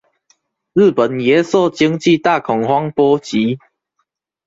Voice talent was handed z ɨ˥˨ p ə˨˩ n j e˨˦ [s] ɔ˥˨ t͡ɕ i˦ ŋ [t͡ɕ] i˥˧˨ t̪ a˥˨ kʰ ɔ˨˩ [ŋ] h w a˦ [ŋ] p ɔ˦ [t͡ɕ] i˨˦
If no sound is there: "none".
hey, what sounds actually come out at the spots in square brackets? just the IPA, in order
s, t͡ɕ, ŋ, ŋ, t͡ɕ

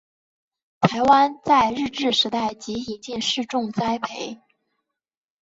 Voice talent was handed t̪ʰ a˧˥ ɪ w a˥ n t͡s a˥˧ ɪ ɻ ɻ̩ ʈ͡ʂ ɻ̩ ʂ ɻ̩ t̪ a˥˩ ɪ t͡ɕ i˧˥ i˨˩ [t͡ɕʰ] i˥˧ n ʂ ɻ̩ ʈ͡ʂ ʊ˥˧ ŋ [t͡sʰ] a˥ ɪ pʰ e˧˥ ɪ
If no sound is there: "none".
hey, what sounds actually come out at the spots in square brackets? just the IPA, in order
t͡ɕ, t͡s

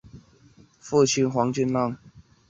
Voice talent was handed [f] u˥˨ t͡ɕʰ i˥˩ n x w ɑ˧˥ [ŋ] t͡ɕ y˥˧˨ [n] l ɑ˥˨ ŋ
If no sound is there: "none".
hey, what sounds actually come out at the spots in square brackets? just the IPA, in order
f, ŋ, n

